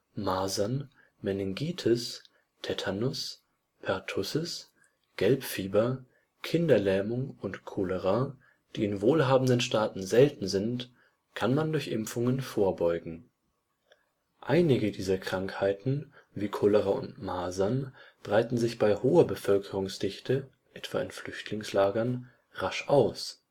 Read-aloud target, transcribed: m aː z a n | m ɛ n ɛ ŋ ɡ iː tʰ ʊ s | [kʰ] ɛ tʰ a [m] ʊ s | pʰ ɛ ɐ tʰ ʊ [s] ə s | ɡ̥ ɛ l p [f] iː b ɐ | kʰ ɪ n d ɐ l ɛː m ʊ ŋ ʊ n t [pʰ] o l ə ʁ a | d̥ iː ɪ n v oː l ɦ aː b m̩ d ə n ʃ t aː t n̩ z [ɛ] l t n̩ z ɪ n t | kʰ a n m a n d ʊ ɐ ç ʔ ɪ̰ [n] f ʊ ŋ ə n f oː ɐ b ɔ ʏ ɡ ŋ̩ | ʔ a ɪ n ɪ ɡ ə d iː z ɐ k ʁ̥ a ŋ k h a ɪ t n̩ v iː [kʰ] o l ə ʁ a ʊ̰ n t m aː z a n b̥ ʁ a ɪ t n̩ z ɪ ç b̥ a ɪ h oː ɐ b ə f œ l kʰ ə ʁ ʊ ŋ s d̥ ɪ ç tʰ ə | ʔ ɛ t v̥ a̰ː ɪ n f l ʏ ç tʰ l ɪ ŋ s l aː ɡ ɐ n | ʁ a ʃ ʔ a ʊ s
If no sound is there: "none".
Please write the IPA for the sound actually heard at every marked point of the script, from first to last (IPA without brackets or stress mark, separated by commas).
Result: tʰ, n, s, f, kʰ, ɛ, m, kʰ